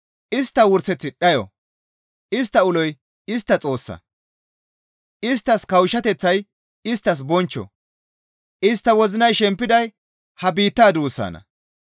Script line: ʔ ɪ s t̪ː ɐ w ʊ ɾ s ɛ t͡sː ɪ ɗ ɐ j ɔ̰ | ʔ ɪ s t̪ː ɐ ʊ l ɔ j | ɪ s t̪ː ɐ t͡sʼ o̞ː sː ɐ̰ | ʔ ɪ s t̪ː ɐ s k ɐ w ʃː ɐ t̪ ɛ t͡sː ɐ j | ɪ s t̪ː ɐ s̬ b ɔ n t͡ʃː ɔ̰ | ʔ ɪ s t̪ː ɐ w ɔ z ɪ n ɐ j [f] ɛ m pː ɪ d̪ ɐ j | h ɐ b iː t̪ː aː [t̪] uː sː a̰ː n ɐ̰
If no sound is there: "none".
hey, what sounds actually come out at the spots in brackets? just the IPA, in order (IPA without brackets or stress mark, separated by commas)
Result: ʃ, d̪